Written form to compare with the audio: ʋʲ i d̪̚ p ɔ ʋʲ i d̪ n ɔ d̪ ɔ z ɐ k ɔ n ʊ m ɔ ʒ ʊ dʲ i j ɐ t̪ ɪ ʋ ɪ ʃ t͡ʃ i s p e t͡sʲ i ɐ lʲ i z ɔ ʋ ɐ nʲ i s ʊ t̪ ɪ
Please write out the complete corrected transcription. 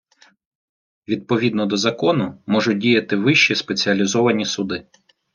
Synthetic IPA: ʋʲ i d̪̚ p ɔ ʋʲ i d̪ n ɔ d̪ ɔ z ɐ k ɔ n ʊ m ɔ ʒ ʊ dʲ i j ɐ t̪ ɪ ʋ ɪ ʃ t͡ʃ i s p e t͡sʲ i ɐ lʲ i z ɔ ʋ ɐ nʲ i s ʊ d̪ ɪ